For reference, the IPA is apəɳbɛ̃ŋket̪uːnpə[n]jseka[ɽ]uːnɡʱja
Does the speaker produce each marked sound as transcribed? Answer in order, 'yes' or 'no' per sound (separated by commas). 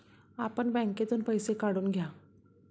no, yes